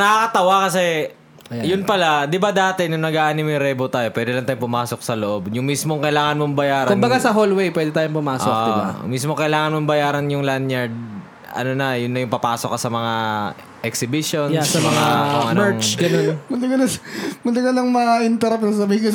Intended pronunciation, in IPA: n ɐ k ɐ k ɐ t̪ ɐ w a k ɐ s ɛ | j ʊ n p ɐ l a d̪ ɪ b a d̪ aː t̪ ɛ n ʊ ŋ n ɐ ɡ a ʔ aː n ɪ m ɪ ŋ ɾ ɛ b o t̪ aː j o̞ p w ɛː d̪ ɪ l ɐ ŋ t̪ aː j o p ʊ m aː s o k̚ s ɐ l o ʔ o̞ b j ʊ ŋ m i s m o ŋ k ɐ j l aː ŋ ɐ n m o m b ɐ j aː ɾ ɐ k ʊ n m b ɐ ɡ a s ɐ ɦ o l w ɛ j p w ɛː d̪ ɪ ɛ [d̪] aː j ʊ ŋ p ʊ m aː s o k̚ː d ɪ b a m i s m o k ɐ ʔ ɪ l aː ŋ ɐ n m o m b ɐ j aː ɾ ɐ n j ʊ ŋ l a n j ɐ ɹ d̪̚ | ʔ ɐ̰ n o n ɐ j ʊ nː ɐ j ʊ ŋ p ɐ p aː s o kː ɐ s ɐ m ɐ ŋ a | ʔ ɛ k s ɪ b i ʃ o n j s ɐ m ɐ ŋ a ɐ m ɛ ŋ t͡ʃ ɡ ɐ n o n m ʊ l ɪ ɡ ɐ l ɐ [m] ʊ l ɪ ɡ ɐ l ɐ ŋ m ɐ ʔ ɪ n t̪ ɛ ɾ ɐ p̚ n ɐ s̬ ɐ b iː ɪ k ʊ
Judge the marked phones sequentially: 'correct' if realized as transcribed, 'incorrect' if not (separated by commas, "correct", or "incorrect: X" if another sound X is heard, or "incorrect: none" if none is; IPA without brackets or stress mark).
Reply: incorrect: t̪, correct